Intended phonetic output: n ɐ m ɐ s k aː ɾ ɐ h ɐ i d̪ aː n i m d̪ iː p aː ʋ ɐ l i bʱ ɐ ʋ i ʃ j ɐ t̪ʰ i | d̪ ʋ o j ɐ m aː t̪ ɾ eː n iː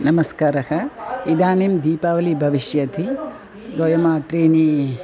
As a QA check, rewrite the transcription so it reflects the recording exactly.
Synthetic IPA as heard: n ɐ m ɐ s k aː ɾ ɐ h ɐ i d̪ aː n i m d̪ iː p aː ʋ ɐ l i bʱ ɐ ʋ i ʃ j ɐ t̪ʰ i | d̪ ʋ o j ɐ m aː t̪ ɾ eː n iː